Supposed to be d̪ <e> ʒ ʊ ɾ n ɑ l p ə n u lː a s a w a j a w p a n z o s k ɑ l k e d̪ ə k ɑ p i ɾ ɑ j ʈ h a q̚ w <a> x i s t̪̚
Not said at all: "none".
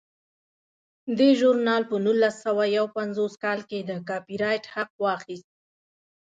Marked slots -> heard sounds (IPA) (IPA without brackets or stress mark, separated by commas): e, ɑ